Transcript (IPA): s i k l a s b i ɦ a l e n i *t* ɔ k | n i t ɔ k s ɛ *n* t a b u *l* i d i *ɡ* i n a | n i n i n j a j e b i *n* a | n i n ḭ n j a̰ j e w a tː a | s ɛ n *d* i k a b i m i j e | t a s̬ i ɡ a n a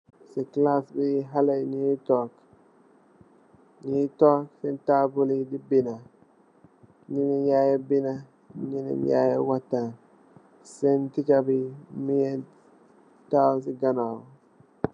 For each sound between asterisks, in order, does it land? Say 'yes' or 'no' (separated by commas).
yes, yes, yes, no, yes, no